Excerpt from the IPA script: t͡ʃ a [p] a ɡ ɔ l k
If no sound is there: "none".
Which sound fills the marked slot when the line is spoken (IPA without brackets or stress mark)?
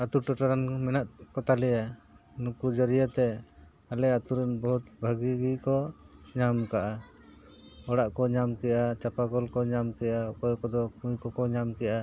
p